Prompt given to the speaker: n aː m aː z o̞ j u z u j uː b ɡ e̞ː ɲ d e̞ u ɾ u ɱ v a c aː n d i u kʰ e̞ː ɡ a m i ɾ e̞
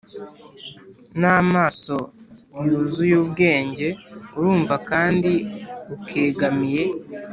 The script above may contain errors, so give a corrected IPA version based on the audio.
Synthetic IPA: n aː m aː s o̞ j u z u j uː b ɡ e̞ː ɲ ɟ e̞ u ɾ uː ɱ v a k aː n d i u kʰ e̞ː ɡ a m i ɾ e̞